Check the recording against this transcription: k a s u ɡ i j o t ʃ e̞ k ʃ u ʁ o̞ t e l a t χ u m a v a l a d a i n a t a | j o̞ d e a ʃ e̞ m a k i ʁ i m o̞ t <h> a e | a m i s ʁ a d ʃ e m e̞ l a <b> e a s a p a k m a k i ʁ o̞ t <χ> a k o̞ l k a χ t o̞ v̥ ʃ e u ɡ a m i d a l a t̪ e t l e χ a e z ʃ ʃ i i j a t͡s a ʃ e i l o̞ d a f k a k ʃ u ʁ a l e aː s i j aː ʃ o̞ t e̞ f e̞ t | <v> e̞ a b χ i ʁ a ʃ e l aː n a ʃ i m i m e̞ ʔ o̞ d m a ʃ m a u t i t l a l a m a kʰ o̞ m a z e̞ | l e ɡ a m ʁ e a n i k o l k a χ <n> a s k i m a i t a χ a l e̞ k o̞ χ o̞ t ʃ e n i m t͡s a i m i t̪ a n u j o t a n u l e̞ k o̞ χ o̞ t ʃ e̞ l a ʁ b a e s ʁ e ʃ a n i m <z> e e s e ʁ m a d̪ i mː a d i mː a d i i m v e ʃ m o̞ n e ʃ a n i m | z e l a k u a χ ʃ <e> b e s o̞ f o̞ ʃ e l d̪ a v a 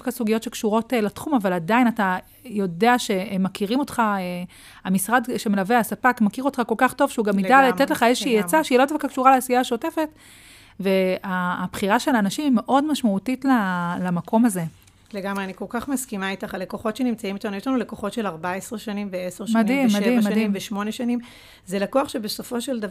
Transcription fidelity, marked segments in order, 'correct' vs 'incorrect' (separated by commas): incorrect, incorrect, correct, correct, incorrect, incorrect, correct